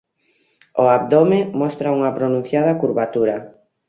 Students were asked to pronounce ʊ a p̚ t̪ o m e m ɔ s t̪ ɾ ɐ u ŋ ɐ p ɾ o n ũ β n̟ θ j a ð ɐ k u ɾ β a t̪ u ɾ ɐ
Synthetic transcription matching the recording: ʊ a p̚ d̪ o m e m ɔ s t̪ ɾ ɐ u ŋ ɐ p ɾ o n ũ n̟ θ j a ð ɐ k u ɾ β a t̪ u ɾ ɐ